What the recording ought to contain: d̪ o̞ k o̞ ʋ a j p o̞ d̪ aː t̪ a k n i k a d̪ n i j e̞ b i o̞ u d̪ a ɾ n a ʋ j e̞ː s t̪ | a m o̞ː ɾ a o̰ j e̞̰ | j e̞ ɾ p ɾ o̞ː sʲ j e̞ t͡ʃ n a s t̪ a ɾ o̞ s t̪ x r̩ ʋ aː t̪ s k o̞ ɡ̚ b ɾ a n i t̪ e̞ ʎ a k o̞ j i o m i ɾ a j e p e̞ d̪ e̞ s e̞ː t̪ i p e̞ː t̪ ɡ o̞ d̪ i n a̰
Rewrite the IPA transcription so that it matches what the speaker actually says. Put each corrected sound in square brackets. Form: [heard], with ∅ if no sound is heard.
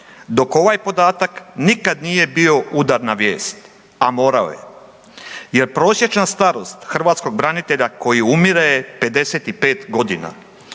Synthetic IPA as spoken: d̪ o̞ k o̞ ʋ a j p o̞ d̪ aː t̪ a k n i k a d̪ n i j e̞ b i o̞ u d̪ a ɾ n a ʋ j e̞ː s t̪ | a m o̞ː ɾ a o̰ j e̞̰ | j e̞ ɾ p ɾ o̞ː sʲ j e̞ t͡ʃ n a s t̪ a ɾ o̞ s t̪ x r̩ ʋ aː t̪ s k o̞ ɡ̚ b ɾ a n i t̪ e̞ ʎ a k o̞ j i [u] m i ɾ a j e p e̞ d̪ e̞ s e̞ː t̪ i p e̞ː t̪ ɡ o̞ d̪ i n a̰